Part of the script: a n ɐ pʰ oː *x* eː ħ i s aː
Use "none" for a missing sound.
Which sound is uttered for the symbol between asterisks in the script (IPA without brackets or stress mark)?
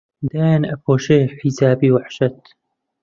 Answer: ʃ